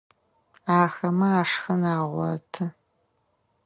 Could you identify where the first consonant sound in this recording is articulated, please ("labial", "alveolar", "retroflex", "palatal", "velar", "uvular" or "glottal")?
velar